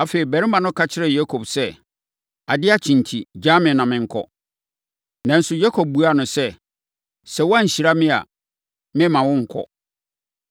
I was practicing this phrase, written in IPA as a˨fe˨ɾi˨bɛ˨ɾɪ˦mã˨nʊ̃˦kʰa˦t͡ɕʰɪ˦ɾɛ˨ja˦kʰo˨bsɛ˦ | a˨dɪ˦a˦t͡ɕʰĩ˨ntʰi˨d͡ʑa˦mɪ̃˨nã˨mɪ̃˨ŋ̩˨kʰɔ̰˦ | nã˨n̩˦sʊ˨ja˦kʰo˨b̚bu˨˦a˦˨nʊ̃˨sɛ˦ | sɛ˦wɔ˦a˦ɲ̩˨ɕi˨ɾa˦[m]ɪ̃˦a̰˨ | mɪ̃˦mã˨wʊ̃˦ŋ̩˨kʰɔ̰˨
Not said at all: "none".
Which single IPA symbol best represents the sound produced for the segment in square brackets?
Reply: m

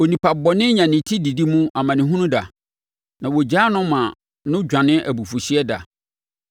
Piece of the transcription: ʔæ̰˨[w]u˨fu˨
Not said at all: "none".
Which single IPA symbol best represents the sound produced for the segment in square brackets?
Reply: b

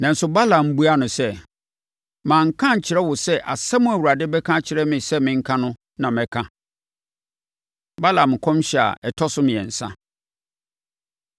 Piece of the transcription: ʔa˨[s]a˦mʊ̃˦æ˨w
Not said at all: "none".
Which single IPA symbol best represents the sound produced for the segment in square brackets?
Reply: s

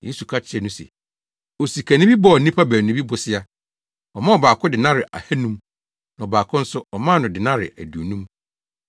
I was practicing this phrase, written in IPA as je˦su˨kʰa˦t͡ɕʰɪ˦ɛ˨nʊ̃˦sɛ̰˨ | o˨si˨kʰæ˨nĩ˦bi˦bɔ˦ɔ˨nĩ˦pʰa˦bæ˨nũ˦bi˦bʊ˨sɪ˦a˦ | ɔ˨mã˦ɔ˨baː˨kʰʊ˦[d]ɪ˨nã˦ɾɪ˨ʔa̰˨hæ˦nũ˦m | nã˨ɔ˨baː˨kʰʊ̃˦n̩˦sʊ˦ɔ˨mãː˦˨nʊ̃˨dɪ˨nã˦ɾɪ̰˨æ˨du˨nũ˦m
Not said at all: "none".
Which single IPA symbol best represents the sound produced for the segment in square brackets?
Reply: d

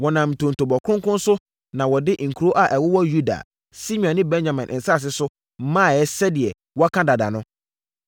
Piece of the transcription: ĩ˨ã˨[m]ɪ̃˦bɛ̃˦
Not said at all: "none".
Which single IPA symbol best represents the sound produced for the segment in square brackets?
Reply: n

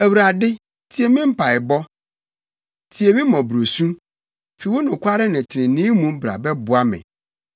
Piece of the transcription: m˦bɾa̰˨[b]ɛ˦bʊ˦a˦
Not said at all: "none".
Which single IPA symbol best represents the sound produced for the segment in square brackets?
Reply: b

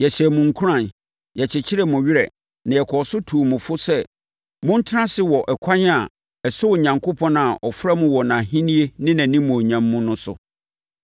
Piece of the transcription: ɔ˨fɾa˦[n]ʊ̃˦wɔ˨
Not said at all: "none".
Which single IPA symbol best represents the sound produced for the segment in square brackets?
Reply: m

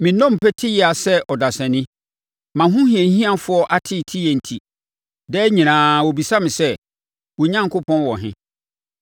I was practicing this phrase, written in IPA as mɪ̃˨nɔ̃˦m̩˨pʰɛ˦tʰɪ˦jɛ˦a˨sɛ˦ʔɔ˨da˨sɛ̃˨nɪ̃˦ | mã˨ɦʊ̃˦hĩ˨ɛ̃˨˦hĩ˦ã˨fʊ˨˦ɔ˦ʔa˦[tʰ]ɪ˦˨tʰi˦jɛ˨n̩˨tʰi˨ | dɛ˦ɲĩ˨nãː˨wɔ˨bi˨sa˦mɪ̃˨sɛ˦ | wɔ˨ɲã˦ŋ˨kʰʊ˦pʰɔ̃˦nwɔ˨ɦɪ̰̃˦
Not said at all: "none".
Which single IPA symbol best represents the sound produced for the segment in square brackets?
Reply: tʰ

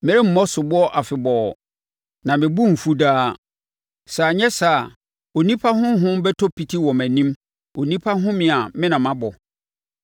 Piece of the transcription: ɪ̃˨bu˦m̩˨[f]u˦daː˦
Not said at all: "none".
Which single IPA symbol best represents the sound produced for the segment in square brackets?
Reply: f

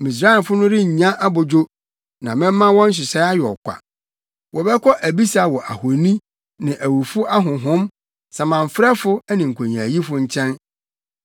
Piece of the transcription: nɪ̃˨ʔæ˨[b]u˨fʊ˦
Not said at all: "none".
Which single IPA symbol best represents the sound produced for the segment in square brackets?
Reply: w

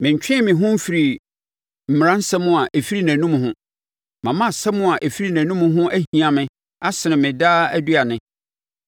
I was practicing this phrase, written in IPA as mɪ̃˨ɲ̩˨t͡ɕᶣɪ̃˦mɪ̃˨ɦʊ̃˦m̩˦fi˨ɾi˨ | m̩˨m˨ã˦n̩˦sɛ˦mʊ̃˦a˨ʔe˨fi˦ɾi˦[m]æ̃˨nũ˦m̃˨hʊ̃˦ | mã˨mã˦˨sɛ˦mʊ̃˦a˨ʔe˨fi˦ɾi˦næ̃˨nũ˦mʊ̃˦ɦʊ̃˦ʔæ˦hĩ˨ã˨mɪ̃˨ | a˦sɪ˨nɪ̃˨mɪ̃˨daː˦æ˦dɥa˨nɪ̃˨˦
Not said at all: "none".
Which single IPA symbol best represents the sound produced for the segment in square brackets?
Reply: n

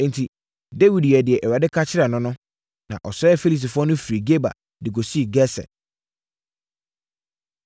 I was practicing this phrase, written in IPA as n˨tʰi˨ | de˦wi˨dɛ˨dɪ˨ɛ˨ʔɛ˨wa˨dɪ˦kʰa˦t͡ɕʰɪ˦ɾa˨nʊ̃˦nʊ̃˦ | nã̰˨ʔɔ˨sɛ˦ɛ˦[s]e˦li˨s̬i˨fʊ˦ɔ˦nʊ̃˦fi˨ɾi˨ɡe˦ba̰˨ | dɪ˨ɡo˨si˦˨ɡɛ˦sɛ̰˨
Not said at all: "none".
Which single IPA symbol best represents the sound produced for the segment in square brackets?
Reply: f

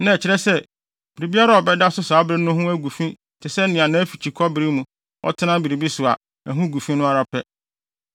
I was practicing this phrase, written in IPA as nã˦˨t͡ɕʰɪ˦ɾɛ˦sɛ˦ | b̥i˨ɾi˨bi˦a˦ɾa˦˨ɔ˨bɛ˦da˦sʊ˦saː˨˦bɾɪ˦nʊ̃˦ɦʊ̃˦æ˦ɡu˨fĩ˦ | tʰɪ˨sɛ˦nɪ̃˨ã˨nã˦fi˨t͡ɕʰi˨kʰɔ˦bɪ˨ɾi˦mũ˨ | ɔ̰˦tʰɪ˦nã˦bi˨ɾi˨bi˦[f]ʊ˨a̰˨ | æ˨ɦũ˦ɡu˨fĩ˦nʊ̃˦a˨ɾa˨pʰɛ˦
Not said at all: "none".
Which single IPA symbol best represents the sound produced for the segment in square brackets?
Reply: s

